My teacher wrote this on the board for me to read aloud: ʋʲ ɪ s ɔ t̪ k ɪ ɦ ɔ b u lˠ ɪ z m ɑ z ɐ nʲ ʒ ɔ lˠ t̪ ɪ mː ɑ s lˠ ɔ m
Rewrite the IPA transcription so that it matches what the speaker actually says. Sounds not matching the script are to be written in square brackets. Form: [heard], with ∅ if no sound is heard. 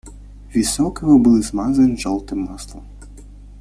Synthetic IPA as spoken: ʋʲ [i] s ɔ [∅] k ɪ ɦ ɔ b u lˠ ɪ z m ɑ z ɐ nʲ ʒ ɔ lˠ t̪ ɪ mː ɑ s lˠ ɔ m